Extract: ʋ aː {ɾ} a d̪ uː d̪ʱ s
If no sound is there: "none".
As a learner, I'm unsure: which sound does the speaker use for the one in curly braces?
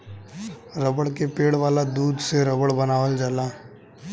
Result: l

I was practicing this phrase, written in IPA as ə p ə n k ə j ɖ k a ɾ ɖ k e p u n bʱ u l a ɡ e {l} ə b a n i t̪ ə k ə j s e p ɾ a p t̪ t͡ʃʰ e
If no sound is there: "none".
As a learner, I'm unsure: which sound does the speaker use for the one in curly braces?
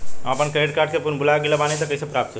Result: l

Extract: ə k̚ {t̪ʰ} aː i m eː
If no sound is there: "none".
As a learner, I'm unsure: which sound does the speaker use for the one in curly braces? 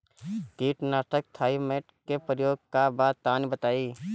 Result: t̪ʰ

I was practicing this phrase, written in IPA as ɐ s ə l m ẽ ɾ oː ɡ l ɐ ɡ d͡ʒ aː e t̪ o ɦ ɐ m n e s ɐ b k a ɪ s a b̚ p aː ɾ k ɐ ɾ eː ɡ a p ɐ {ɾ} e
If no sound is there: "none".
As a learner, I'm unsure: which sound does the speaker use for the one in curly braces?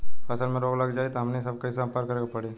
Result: ɽ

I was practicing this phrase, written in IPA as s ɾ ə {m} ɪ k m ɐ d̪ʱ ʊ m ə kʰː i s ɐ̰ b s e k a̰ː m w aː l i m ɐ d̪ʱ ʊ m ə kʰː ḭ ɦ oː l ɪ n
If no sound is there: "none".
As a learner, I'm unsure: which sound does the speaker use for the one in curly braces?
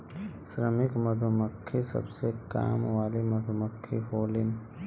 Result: m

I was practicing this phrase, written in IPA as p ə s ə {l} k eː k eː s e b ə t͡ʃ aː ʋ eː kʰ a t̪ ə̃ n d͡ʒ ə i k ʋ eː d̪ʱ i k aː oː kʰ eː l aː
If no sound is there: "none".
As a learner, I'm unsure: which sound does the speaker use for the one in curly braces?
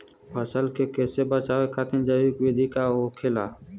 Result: l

